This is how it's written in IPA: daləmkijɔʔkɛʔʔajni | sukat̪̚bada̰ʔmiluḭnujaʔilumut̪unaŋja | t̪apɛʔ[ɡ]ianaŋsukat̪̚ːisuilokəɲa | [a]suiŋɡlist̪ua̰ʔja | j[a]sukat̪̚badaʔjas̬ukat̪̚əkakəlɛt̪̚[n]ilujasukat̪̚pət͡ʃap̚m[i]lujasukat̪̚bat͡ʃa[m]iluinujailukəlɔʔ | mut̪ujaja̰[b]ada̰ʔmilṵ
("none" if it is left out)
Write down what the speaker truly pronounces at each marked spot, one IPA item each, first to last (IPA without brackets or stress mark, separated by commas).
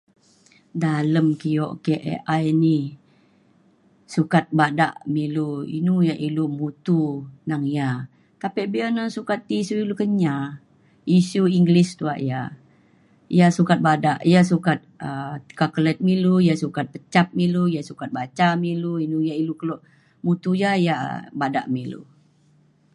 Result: b, i, a, m, i, m, b